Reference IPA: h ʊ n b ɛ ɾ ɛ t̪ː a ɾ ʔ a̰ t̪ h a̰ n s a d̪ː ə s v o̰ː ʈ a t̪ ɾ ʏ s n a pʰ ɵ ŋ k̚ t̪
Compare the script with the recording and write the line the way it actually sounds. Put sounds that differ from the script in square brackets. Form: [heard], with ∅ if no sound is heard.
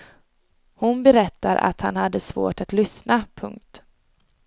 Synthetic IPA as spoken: h ʊ n b ɛ ɾ ɛ t̪ː a ɾ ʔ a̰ t̪ h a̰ n [h] a d̪ː ə s v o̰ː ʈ a t̪ [l] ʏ s n a pʰ ɵ ŋ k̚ t̪